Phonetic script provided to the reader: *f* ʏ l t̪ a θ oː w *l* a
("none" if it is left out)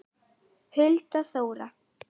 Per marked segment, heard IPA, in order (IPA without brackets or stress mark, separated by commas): h, ɾ